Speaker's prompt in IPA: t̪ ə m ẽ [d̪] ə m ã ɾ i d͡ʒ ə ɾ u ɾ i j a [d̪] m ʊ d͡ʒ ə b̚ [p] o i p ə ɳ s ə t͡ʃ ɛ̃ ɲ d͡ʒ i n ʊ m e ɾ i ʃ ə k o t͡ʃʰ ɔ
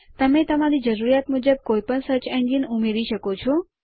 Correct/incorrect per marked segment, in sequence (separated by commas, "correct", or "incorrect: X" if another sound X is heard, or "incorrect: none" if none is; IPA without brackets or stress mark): incorrect: t̪, incorrect: t̪, incorrect: k